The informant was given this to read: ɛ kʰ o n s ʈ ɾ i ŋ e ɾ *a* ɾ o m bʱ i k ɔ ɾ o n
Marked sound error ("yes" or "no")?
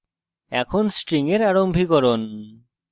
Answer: no